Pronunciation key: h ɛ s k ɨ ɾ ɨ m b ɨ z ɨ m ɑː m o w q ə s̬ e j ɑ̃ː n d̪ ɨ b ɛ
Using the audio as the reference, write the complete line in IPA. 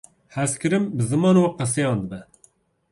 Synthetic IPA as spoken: h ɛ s k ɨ ɾ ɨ m b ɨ z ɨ m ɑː n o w q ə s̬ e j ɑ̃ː n d̪ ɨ b ɛ